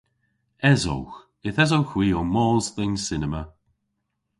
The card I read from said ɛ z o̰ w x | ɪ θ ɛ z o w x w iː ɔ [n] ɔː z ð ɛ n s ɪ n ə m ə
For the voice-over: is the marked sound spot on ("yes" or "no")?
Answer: no